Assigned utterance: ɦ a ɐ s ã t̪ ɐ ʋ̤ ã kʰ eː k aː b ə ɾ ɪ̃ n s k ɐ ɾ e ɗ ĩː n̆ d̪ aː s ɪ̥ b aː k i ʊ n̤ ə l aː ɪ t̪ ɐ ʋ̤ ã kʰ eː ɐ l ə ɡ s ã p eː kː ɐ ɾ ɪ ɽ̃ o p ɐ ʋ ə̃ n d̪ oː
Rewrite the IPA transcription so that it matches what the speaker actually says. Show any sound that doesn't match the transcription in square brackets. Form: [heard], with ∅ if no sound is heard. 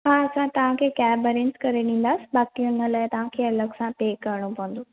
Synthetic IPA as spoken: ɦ a ɐ s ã t̪ ɐ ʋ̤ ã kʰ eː k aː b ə ɾ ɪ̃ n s k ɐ ɾ e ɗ ĩː n̆ d̪ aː s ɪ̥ b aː k i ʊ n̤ ə l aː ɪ t̪ ɐ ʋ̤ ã kʰ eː ɐ l ə ɡ s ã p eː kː ɐ ɾ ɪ ɽ̃ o p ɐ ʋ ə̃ n d̪ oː